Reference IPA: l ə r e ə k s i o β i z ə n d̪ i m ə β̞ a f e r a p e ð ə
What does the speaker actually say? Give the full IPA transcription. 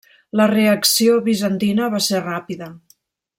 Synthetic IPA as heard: l ə r e ə k s i o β i z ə n t̪ i n ə β̞ a s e r a p i ð ə